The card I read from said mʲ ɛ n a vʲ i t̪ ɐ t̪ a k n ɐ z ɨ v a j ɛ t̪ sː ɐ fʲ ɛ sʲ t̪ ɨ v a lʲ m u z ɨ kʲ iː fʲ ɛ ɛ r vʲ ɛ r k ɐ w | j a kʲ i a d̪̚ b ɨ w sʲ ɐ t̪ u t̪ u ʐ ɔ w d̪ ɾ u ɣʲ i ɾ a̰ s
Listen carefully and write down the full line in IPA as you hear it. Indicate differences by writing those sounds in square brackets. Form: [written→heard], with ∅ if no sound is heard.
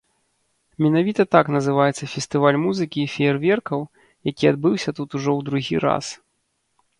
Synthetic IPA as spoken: mʲ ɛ n a vʲ i t̪ ɐ t̪ a k n ɐ z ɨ v a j ɛ t̪ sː ɐ fʲ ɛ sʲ t̪ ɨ v a lʲ m u z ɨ kʲ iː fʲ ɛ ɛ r vʲ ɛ r k ɐ w | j a kʲ i a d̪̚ b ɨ w sʲ ɐ t̪ u t̪ u ʐ ɔ w d̪ ɾ u ɣʲ i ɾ a̰ s